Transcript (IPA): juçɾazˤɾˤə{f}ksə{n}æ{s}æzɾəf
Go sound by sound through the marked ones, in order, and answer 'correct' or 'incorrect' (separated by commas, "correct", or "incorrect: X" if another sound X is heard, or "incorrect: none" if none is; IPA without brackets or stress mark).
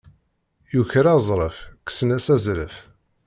correct, correct, correct